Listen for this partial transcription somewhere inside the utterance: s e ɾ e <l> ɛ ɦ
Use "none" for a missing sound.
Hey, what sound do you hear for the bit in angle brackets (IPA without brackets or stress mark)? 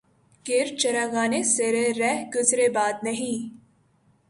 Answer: ɾ